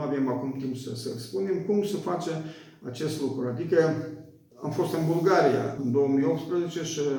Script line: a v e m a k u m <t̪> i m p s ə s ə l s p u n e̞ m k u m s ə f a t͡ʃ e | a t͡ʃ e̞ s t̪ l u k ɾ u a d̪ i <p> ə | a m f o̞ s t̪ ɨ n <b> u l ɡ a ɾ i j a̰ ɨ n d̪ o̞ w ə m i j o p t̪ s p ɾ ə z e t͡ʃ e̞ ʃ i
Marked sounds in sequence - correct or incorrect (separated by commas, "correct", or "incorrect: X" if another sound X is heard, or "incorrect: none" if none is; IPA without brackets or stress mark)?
correct, incorrect: k, correct